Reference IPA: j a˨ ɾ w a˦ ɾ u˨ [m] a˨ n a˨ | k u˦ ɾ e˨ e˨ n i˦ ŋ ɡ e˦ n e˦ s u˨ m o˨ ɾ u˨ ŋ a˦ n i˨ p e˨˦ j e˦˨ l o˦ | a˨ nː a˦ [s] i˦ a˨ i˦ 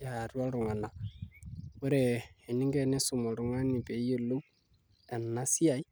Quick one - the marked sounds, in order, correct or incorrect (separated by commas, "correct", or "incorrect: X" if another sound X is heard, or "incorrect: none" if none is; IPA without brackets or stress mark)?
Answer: incorrect: ŋ, correct